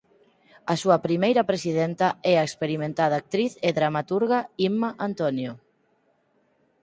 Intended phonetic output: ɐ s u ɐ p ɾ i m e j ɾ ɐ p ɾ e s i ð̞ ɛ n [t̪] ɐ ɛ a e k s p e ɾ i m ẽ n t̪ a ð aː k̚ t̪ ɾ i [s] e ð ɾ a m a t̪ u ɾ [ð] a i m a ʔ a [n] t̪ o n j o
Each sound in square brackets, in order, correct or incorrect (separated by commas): correct, incorrect, incorrect, correct